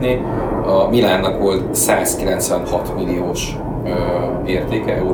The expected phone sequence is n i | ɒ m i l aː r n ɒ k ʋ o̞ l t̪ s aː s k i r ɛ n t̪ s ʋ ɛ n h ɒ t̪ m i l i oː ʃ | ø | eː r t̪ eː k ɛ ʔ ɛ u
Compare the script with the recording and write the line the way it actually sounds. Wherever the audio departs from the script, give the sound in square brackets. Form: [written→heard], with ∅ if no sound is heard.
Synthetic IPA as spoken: n i | ɒ m i l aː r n ɒ k ʋ o̞ l t̪ s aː s k i [r→l] ɛ n t̪ s ʋ ɛ n h ɒ t̪ m i l i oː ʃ | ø | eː r t̪ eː k ɛ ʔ ɛ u